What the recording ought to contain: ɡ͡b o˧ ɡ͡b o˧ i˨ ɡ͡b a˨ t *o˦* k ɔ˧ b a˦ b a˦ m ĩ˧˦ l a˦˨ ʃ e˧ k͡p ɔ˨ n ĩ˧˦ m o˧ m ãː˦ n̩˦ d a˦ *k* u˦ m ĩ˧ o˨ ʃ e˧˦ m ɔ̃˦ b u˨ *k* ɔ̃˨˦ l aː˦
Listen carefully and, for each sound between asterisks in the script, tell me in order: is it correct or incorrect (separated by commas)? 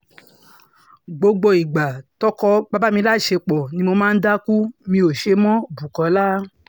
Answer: incorrect, correct, correct